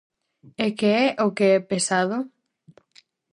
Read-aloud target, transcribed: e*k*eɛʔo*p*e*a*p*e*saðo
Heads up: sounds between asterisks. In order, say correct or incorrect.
correct, incorrect, incorrect, correct

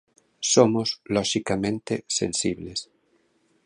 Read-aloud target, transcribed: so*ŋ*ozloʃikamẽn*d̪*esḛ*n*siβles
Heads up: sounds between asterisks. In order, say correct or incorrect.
incorrect, incorrect, correct

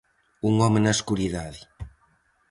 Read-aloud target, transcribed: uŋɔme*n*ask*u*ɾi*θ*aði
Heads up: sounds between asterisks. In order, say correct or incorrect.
correct, correct, incorrect

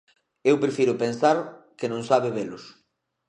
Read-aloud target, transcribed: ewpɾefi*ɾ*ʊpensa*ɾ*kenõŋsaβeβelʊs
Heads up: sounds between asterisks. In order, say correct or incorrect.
correct, correct

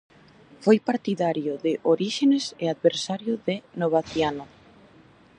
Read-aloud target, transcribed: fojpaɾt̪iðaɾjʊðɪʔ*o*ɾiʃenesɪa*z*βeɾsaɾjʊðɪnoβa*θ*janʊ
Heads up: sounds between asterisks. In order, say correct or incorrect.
correct, incorrect, correct

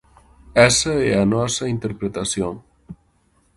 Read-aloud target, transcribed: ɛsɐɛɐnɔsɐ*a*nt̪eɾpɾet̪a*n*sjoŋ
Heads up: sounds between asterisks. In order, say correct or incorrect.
incorrect, incorrect

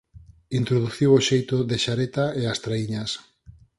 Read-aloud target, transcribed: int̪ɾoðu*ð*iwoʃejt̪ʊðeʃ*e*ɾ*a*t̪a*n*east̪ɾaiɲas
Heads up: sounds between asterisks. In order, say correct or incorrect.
incorrect, incorrect, incorrect, incorrect

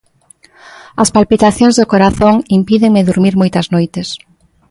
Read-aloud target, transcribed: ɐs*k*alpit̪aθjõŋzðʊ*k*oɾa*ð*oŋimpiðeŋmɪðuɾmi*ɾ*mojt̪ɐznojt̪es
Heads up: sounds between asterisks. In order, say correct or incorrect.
incorrect, correct, incorrect, correct

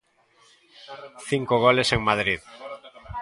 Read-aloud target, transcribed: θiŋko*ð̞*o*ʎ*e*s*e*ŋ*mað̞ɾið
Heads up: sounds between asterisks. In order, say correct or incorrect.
incorrect, incorrect, correct, correct

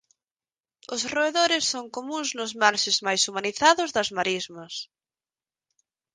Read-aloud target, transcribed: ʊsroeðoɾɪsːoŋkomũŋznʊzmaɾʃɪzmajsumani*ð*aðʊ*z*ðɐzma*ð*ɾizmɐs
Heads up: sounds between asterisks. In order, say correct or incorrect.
incorrect, correct, incorrect

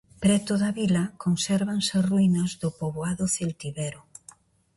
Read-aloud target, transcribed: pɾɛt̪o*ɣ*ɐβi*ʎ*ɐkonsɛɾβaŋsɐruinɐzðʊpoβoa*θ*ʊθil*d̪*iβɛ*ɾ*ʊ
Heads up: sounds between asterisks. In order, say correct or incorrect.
incorrect, incorrect, incorrect, incorrect, correct

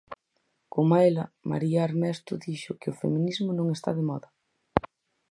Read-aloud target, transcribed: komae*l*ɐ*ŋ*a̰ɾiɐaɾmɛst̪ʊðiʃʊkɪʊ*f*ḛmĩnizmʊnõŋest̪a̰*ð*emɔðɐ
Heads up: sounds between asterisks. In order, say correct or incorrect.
correct, incorrect, correct, correct

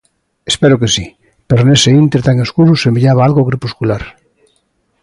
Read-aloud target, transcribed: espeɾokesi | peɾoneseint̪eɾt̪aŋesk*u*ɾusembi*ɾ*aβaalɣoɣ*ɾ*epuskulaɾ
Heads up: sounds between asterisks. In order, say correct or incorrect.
correct, incorrect, correct

